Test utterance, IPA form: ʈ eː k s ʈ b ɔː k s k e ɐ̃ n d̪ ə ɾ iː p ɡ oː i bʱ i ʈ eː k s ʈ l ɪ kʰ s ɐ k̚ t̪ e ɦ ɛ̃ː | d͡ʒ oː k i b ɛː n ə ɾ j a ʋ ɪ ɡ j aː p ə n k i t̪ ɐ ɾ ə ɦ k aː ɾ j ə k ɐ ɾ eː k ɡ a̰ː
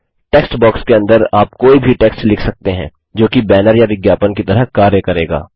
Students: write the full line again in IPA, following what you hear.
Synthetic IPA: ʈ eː k s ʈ b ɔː k s k e ɐ̃ n d̪ ə ɾ aː p k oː i bʱ i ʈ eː k s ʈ l ɪ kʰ s ɐ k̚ t̪ e ɦ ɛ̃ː | d͡ʒ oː k i b ɛː n ə ɾ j a ʋ ɪ ɡ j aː p ə n k i t̪ ɐ ɾ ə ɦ k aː ɾ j ə k ɐ ɾ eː ɡ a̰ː

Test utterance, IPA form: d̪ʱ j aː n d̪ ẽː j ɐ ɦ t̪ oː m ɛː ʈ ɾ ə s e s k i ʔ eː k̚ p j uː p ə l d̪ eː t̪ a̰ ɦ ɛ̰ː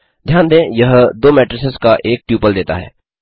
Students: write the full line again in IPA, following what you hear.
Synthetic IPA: d̪ʱ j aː n d̪ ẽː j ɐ ɦ d̪ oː m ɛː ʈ ɾ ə s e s k a ʔ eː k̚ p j uː p ə l d̪ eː t̪ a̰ ɦ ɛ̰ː

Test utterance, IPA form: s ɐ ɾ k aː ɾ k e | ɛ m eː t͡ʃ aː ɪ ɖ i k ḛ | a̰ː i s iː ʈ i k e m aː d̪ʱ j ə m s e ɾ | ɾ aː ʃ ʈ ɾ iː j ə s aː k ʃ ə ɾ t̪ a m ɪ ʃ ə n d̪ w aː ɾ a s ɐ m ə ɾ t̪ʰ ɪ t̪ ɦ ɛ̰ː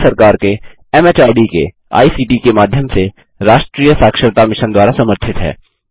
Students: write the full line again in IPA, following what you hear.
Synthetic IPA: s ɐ ɾ k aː ɾ k e | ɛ m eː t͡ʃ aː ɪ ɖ i k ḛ | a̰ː i s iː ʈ i k e m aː d̪ʱ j ə m s e | ɾ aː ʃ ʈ ɾ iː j ə s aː k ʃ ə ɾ t̪ a m ɪ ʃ ə n d̪ w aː ɾ a s ɐ m ə ɾ t̪ʰ ɪ t̪ ɦ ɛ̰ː

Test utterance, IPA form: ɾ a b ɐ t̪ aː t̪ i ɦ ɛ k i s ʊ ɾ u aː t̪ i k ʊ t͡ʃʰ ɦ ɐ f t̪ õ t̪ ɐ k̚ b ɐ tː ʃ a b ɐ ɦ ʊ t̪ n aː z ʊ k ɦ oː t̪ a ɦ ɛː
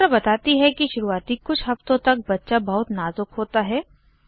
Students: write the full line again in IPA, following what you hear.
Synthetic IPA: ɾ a b ɐ t̪ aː t̪ i ɦ ɛ k i ʃ ʊ ɾ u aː t̪ i k ʊ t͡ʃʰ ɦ ɐ f t̪ õ t̪ ɐ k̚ b ɐ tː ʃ a b ɐ ɦ ʊ t̪ n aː z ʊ k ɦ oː t̪ a ɦ ɛː

